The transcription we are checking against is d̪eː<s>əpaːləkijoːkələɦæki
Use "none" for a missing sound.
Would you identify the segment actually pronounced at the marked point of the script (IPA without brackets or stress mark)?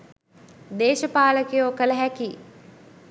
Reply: ʃ